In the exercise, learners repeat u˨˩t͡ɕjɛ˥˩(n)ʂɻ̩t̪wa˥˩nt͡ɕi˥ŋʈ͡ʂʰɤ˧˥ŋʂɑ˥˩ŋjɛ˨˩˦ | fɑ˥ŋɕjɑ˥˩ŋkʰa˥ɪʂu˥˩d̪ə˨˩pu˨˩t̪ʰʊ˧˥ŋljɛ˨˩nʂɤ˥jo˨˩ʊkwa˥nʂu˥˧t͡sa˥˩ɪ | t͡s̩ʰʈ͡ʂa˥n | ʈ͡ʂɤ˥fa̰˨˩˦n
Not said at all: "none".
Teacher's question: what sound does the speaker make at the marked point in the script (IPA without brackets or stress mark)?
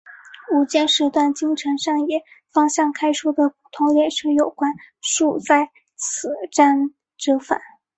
n